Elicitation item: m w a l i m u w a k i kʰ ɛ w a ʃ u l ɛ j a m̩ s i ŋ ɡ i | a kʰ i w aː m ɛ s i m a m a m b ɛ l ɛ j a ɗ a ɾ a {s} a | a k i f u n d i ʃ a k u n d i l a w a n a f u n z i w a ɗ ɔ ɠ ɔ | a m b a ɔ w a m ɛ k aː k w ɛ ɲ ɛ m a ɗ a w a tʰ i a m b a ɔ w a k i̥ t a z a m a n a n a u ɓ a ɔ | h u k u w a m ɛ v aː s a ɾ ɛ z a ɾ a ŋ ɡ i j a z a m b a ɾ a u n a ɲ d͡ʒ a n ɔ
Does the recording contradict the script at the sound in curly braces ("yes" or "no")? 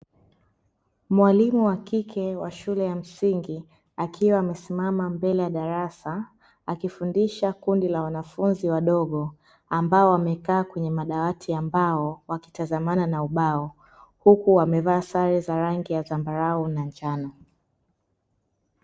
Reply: no